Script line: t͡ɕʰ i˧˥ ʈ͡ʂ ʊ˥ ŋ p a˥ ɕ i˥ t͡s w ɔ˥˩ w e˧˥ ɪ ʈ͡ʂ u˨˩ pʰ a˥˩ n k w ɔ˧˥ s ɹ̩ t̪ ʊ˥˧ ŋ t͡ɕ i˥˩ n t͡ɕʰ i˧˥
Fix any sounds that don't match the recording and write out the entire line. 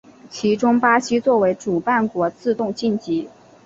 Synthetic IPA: t͡ɕʰ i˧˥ ʈ͡ʂ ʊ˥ ŋ p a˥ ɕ i˥ t͡s w ɔ˥˩ w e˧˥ ɪ ʈ͡ʂ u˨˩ p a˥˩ n k w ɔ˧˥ t͡s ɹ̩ t̪ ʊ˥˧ ŋ t͡ɕ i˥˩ n t͡ɕ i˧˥